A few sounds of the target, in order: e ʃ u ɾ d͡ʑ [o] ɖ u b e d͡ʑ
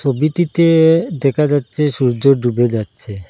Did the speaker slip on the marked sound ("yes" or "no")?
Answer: no